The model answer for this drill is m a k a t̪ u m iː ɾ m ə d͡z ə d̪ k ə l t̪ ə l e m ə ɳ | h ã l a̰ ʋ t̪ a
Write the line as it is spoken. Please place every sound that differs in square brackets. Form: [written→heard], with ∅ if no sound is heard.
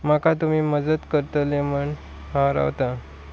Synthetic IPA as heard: m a k a t̪ u m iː [ɾ→∅] m ə d͡z ə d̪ k ə [l→ɾ] t̪ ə l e m ə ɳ | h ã [l→ɾ] a̰ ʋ t̪ a

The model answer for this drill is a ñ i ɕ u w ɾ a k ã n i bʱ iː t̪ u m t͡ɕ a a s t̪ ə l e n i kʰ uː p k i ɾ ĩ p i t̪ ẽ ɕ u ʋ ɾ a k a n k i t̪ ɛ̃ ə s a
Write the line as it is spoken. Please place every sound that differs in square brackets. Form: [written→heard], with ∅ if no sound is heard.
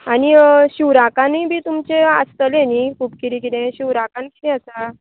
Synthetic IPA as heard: a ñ i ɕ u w ɾ a k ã n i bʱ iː t̪ u m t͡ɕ [a→e] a s t̪ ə l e n i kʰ uː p k i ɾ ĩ [p→k] i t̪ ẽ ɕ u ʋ ɾ a k a n k i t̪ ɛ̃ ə s a

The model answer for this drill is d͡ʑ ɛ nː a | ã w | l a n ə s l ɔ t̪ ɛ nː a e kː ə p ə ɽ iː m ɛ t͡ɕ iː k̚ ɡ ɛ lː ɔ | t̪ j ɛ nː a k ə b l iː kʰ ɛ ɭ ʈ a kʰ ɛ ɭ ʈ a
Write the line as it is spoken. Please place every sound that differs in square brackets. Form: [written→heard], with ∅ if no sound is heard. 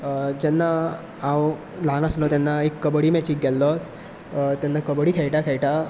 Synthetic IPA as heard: d͡ʑ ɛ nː a | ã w | l a n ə s l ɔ t̪ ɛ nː a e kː ə [p→b] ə ɽ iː m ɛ t͡ɕ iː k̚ ɡ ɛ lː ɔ | t̪ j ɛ nː a k ə b [l→ɽ] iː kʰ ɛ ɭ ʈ a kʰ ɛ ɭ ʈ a

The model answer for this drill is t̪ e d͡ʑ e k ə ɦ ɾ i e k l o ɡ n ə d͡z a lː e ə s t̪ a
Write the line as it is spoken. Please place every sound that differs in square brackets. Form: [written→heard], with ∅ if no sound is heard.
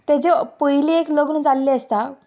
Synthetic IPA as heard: t̪ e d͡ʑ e [k→p] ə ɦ [ɾ→l] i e k l o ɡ n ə d͡z a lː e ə s t̪ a

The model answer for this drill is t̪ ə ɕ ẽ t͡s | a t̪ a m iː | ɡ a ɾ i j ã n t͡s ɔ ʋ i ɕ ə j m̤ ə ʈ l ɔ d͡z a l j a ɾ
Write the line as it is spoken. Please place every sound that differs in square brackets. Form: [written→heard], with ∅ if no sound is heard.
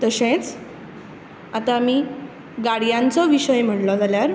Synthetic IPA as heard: t̪ ə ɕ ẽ t͡s | a t̪ a m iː | ɡ a [ɾ→ɽ] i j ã n t͡s ɔ ʋ i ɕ ə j m̤ ə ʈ l ɔ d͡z a l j a ɾ

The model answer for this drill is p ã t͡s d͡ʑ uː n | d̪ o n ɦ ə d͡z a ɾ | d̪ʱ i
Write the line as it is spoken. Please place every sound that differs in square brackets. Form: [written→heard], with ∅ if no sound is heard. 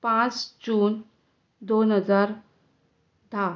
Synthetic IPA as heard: p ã t͡s d͡ʑ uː n | d̪ o n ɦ ə d͡z a ɾ | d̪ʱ [i→a]

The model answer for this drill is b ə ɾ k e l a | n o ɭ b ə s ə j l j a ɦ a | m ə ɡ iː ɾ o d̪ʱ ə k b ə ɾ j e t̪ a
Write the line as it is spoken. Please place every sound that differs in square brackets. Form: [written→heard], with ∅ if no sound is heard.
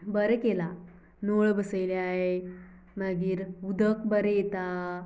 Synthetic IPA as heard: b ə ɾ k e l a | n o ɭ b ə s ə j l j a ɦ [a→e] | m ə ɡ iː ɾ [o→u] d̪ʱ ə k b ə ɾ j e t̪ a

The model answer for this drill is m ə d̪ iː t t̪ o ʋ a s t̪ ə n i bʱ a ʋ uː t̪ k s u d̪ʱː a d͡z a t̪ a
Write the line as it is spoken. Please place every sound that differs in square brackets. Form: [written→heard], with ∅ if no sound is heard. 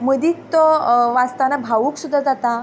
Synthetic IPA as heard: m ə d̪ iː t t̪ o ʋ a s t̪ [ə→a] n [i→a] bʱ a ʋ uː [t̪→∅] k s u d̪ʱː a d͡z a t̪ a

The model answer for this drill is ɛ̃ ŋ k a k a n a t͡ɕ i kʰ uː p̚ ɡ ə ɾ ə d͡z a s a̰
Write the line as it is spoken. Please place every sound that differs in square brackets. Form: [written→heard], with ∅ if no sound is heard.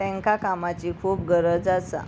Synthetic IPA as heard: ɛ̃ ŋ k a k a [n→m] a t͡ɕ i kʰ uː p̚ ɡ ə ɾ ə d͡z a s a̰

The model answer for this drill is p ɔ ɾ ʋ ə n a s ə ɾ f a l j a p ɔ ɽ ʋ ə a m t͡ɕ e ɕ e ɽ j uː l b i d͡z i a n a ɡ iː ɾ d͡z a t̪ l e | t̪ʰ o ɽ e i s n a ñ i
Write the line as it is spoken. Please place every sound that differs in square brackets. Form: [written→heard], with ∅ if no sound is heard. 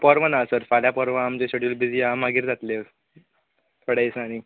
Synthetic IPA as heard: p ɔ ɾ ʋ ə n a s ə ɾ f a l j a p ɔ [ɽ→ɾ] ʋ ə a m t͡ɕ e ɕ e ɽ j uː l b i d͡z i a [n→m] a ɡ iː ɾ d͡z a t̪ l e | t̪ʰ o ɽ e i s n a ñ i

